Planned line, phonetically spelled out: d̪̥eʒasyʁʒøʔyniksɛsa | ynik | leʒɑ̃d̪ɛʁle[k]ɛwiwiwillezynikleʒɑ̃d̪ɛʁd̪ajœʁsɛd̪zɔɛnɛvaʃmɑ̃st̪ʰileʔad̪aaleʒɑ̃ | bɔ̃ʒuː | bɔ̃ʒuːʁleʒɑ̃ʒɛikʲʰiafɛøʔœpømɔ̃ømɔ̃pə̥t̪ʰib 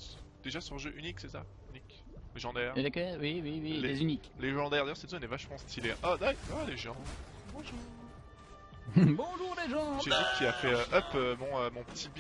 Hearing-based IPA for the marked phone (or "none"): k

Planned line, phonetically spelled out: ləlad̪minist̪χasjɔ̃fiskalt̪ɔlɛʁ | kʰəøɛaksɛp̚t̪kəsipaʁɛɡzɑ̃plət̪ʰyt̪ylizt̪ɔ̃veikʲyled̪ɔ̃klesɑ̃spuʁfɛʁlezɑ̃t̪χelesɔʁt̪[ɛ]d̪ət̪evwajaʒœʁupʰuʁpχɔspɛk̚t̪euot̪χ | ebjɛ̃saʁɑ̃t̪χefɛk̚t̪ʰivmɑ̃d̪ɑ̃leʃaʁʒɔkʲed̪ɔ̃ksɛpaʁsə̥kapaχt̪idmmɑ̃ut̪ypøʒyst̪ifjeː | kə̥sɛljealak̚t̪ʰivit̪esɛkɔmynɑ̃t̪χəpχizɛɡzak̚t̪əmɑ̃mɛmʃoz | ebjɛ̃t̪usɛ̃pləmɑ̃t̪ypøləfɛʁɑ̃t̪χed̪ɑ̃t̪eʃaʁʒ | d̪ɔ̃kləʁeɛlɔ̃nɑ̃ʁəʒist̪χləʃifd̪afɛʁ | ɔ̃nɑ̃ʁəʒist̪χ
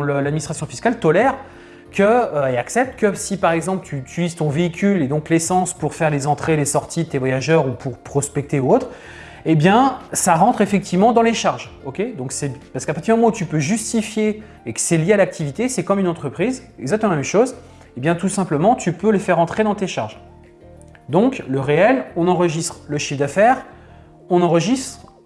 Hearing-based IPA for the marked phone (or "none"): i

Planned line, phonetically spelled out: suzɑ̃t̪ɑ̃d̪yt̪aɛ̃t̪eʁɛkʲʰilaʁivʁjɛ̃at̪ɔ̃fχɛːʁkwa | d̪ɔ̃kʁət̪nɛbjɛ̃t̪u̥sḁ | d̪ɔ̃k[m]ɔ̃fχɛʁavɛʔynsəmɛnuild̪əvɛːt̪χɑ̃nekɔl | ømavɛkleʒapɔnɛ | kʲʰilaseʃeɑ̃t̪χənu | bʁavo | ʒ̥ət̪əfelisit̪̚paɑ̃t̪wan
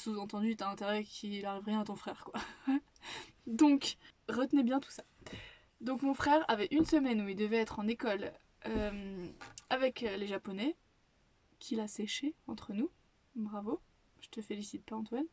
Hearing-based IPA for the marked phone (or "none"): m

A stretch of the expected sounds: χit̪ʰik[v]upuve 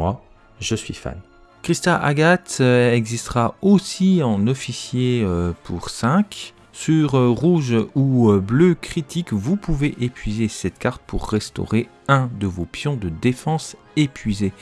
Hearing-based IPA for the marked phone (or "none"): v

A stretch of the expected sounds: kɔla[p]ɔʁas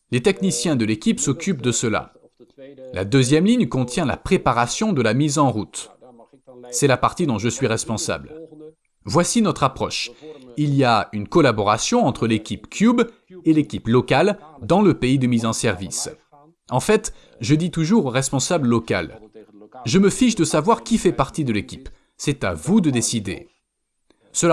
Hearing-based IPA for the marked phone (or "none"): b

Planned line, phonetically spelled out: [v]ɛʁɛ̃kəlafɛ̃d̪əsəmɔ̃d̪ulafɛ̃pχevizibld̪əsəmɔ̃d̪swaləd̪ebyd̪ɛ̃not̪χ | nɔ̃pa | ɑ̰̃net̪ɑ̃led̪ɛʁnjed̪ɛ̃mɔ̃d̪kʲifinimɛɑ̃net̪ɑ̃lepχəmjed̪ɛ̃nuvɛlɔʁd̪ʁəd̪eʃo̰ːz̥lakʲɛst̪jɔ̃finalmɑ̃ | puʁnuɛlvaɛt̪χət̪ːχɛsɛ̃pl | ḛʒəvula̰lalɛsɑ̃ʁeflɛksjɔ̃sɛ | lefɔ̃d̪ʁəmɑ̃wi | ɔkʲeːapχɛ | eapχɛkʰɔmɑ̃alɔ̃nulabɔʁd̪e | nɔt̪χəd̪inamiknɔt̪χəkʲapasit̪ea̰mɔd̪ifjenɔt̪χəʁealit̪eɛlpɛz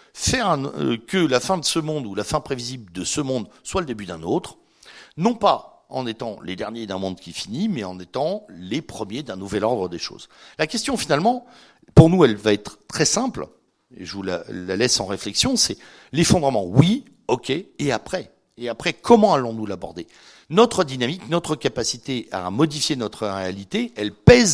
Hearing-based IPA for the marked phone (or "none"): f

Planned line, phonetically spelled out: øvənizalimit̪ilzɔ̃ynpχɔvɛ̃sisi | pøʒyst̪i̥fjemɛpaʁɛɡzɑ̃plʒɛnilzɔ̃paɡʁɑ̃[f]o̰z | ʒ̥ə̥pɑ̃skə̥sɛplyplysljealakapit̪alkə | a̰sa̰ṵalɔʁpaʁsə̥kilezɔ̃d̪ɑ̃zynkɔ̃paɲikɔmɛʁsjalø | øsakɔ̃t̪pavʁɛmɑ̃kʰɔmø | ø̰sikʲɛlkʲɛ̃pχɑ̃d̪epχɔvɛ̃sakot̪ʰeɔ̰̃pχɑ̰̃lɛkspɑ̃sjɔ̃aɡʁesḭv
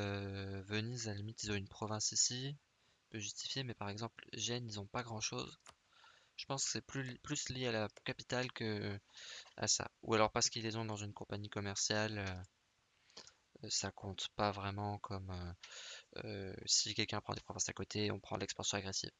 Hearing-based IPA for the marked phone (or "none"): ʃ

